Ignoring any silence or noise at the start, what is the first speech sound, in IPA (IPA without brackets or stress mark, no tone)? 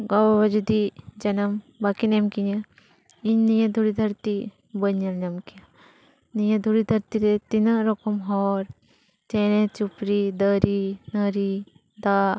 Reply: ɡ